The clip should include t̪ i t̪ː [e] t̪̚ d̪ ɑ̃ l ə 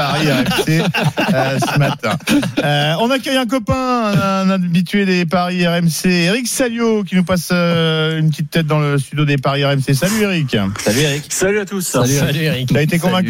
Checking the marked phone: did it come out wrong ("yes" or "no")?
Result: yes